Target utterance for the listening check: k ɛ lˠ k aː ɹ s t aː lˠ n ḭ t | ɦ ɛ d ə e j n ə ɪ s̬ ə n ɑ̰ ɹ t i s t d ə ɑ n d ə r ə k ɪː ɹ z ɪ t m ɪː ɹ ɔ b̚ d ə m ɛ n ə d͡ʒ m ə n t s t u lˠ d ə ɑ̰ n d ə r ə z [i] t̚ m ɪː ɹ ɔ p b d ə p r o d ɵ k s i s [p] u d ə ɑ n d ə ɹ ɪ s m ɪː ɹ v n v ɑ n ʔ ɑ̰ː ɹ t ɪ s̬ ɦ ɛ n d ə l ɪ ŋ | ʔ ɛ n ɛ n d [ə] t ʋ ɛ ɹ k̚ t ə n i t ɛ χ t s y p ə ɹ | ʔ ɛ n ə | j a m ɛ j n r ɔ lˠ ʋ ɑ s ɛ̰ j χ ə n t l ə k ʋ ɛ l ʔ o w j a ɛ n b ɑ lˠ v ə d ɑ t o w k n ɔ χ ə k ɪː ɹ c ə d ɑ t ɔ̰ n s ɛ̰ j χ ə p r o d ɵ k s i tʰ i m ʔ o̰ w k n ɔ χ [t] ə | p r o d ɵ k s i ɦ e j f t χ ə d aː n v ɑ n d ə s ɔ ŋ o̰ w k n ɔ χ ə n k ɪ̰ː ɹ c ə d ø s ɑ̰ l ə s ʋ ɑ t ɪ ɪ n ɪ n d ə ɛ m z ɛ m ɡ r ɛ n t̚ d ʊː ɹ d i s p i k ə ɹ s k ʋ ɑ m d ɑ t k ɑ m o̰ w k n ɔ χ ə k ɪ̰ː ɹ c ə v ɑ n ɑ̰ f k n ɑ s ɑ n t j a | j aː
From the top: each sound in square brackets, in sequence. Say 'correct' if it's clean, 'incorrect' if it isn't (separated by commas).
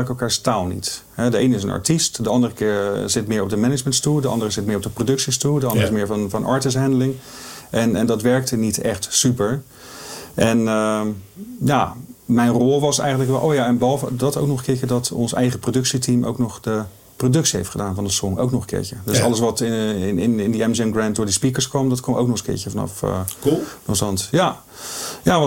incorrect, incorrect, incorrect, incorrect